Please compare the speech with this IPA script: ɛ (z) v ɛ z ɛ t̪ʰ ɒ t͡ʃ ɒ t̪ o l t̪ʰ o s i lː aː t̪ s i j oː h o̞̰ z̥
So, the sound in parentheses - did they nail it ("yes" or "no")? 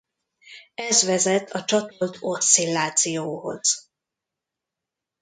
yes